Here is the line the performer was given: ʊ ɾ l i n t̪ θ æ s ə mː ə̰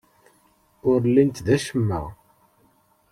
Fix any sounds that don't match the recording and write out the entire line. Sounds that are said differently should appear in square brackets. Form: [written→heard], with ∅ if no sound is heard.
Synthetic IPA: ʊ ɾ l i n t̪ [θ→ð] æ [s→ʃ] ə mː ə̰